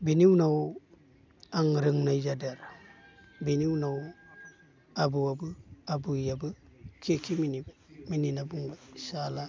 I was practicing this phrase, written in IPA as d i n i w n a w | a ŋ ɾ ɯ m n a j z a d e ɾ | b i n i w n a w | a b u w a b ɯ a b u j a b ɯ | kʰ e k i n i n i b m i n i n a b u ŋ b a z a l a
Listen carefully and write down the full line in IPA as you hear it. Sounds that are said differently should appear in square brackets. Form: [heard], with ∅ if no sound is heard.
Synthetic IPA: [b] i n i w n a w | a ŋ ɾ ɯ [ŋ] n a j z a d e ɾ | b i n i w n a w | a b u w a b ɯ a b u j a b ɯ | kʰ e k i [m] i n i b m i n i n a b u ŋ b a [s] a l a